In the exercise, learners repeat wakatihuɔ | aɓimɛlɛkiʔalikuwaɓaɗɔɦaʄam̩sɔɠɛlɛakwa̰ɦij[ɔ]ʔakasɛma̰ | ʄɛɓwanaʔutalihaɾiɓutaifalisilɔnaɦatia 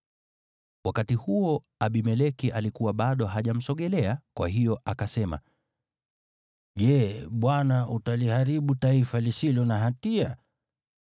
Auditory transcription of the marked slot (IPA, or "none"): ɔ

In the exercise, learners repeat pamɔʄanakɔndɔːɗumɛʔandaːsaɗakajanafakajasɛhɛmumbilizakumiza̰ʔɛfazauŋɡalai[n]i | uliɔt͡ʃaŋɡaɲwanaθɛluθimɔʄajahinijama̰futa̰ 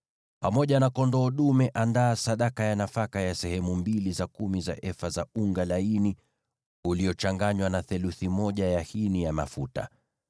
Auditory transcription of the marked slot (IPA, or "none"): n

